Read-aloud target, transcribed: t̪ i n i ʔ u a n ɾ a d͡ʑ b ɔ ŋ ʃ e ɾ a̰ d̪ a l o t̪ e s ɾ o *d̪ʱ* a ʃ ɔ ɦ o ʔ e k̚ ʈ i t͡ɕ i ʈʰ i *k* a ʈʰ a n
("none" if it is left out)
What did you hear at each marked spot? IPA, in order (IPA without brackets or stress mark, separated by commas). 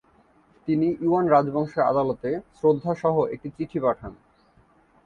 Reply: d̪ʱː, p